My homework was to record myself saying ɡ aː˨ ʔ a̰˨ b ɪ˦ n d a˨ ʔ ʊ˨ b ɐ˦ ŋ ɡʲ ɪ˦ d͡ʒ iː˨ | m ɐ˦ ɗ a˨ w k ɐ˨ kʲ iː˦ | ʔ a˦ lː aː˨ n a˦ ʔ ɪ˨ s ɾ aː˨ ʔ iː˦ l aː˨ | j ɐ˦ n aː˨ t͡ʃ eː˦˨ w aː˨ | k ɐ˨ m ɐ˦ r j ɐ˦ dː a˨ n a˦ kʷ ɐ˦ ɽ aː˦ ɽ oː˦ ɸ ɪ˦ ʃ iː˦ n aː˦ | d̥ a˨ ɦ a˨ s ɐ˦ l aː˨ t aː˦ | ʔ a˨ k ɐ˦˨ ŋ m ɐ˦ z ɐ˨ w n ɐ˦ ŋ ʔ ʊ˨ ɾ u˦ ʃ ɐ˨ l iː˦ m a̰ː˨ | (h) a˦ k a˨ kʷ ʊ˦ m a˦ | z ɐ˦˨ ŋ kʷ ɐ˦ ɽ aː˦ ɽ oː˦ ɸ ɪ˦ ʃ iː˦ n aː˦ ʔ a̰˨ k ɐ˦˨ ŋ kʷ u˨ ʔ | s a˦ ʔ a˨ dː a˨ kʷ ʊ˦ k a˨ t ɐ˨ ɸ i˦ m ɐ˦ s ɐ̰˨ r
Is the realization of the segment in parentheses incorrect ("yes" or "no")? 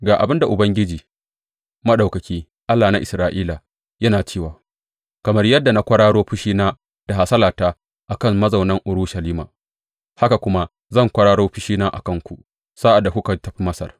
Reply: no